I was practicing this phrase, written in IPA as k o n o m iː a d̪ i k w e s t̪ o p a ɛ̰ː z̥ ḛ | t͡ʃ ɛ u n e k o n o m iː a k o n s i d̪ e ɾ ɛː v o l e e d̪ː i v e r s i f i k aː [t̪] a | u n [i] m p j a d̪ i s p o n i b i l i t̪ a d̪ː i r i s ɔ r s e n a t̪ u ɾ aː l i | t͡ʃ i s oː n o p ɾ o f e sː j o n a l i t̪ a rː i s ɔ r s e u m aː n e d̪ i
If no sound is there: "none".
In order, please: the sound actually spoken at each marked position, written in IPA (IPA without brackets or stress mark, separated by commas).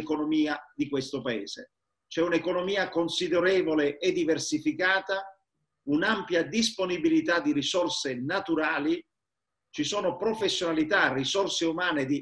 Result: t̪, a